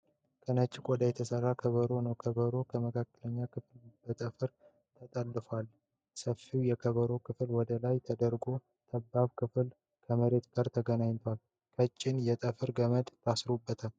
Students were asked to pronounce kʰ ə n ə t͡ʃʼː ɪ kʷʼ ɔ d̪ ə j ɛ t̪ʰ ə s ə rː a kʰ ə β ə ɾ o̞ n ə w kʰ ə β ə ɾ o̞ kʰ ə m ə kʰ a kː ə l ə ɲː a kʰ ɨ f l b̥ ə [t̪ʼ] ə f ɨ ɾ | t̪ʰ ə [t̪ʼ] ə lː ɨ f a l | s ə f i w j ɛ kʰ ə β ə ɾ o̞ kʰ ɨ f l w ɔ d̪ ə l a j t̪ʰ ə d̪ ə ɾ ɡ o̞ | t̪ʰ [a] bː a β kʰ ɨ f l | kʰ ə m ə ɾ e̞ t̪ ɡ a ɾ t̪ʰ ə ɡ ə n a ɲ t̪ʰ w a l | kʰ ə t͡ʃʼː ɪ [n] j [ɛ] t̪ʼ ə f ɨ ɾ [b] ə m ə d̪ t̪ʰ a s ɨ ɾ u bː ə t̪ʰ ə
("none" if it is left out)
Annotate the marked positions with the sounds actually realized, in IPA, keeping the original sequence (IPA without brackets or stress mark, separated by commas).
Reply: t̪ʼ, t̪ʼ, ə, n, ɛ, ɡ